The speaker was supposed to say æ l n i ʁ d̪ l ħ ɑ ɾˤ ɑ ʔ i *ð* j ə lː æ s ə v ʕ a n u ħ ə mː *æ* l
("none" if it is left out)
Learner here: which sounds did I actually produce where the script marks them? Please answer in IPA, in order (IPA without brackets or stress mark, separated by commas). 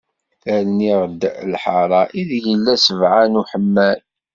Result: ð, æ